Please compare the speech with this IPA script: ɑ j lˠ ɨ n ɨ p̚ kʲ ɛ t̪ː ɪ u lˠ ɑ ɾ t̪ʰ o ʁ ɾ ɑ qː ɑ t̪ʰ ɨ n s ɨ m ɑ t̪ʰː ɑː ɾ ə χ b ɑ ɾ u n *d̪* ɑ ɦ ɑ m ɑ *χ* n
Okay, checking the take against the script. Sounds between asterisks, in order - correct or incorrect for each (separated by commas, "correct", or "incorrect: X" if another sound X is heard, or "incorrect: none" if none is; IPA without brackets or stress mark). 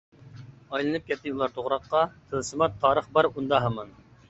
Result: correct, incorrect: none